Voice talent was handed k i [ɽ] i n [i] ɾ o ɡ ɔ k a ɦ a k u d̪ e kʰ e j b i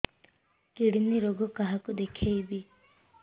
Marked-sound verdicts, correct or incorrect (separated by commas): correct, correct